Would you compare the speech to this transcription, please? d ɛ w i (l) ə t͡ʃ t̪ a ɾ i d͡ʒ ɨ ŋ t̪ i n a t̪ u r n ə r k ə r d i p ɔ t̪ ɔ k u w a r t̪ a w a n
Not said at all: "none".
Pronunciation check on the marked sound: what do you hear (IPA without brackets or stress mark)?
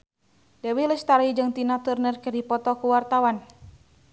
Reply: l